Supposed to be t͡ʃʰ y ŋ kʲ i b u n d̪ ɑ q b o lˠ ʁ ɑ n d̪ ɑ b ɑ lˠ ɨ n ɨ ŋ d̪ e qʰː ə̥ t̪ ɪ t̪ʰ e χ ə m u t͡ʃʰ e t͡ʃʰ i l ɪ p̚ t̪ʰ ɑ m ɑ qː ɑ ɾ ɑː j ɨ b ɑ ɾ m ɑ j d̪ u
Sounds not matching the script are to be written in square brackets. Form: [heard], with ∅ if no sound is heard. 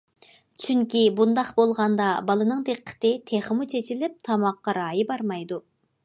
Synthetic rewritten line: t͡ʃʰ y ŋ kʲ i b u n d̪ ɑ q b o lˠ ʁ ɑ n d̪ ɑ b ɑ lˠ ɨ n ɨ ŋ d̪ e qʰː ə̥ t̪ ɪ t̪ʰ e χ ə m u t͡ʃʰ e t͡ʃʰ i l ɪ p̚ t̪ʰ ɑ m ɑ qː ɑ ɾ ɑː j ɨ b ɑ ɾ m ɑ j d̪ u